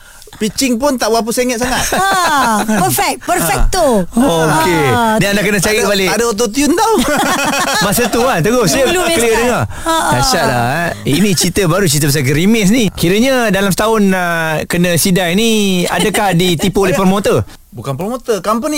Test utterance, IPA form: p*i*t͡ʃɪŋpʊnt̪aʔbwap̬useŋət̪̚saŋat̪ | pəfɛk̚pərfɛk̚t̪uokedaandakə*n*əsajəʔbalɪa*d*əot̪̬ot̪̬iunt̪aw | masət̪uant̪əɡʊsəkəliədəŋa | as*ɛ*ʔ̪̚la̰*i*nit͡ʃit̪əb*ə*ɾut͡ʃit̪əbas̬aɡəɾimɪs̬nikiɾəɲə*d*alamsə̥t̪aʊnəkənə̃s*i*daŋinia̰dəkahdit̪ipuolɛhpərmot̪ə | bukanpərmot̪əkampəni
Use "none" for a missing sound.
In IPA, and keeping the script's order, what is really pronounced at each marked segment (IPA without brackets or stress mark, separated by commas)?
i, n, d, a, i, a, d, i